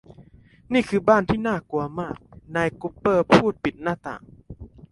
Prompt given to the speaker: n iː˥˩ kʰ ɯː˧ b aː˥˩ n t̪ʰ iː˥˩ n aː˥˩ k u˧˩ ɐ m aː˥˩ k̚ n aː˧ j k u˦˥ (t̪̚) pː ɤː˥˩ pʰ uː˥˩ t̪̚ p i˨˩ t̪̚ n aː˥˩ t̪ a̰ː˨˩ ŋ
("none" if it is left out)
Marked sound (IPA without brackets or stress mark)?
none